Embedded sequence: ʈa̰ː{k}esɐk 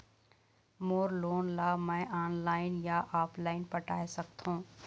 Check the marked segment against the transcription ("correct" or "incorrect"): incorrect